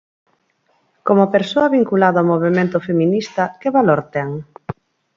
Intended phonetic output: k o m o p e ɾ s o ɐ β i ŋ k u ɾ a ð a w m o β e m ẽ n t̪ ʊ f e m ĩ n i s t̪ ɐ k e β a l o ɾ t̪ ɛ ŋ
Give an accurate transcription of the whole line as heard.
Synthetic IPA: k o m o p e ɾ s o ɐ β i ŋ k u l a ð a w m o β e m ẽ n t̪ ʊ f e m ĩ n i s t̪ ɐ k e β a l o ɾ t̪ ɛ ŋ

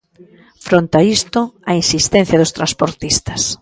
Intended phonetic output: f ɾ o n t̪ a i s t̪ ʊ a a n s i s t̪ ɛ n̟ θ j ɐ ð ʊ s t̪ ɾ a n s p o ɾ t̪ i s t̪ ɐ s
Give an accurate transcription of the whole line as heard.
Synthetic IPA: f ɾ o n t̪ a i s t̪ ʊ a i n s i s t̪ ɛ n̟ θ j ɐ ð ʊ s t̪ ɾ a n s p o ɾ t̪ i s t̪ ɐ s

